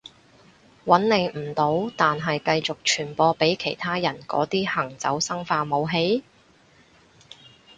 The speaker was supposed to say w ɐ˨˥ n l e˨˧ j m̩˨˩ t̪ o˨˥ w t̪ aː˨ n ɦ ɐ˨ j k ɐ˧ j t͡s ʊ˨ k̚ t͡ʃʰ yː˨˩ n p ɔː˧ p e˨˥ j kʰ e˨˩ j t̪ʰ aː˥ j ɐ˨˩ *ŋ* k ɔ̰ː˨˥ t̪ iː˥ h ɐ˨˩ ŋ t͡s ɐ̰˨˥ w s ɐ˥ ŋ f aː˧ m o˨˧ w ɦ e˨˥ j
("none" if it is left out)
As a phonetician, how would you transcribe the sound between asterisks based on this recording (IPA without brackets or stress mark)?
n